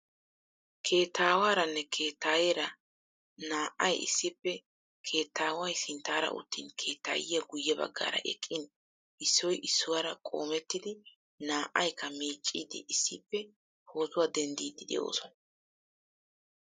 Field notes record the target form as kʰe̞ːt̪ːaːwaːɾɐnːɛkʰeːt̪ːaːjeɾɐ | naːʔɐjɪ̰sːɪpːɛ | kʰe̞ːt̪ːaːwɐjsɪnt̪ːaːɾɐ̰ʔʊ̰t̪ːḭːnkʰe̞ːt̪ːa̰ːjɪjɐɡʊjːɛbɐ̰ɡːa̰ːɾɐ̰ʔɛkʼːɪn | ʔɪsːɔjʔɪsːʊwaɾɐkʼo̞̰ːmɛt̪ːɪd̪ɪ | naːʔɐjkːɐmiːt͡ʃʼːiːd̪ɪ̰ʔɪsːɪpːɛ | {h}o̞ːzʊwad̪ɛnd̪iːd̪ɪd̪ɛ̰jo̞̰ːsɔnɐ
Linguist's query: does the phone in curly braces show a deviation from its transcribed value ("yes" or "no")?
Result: no